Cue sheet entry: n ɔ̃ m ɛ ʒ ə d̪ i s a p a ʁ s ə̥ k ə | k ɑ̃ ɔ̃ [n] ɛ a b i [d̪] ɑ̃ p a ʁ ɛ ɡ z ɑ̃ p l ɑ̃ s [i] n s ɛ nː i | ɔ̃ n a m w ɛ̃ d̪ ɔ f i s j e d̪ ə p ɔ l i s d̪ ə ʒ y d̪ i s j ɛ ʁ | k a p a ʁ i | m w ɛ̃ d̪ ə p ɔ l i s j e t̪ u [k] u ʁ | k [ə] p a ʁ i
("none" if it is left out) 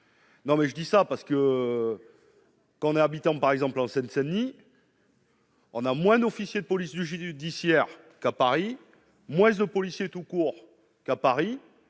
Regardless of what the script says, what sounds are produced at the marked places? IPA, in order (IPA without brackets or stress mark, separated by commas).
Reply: n, t̪, ɛ, k, a